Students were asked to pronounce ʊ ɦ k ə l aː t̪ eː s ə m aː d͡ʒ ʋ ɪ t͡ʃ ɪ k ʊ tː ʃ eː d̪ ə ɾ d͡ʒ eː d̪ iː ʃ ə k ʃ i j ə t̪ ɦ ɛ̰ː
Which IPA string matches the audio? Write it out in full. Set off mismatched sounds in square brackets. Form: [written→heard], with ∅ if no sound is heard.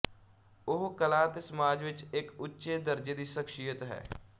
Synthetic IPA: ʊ ɦ k ə l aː t̪ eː s ə m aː d͡ʒ ʋ ɪ t͡ʃ ɪ k ʊ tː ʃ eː d̪ ə ɾ d͡ʒ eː d̪ iː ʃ ə k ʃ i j ə t̪ ɦ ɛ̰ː